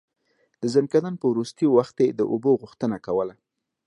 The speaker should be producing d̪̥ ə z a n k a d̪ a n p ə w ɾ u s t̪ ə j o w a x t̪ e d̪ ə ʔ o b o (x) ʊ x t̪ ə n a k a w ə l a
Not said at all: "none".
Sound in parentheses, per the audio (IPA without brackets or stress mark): ɣ